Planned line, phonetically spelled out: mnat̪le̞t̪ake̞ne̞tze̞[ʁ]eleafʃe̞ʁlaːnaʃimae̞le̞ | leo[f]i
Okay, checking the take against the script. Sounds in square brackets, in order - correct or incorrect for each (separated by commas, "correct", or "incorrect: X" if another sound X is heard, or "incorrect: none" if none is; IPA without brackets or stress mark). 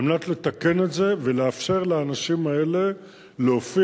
incorrect: v, correct